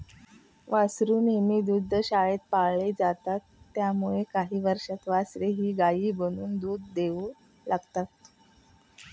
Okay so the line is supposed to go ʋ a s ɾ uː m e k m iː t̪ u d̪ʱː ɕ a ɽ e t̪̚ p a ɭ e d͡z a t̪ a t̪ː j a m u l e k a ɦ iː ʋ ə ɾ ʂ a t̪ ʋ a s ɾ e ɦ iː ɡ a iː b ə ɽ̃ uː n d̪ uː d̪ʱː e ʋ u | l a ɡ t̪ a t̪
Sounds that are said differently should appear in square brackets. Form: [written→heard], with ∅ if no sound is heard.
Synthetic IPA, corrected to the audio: ʋ a s ɾ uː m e [k→∅] m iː [t̪→d̪] u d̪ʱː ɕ a [ɽ→ɭ] e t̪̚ p a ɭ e d͡z a t̪ a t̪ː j a m u [l→ɭ] e k a ɦ iː ʋ ə ɾ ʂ a t̪ ʋ a s ɾ e ɦ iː ɡ a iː b ə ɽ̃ uː n d̪ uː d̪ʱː e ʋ u | l a ɡ t̪ a t̪